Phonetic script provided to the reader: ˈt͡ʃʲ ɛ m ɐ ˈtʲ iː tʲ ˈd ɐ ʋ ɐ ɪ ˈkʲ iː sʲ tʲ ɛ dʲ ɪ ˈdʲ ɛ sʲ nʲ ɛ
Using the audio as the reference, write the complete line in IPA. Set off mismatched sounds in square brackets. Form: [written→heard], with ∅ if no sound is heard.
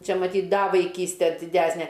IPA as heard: ˈt͡ʃʲ ɛ m ɐ ˈtʲ iː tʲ ˈd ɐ ʋ ɐ ɪ ˈkʲ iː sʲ tʲ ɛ dʲ ɪ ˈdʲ [ɛ→æ] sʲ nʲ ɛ